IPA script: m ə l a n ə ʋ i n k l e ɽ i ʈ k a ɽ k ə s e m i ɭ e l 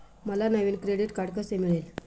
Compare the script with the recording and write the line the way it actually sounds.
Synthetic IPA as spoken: m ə l a n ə ʋ i n k ɾ e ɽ i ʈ k a ɽ k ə s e m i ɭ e l